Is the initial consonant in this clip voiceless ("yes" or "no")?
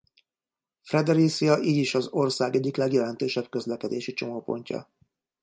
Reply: yes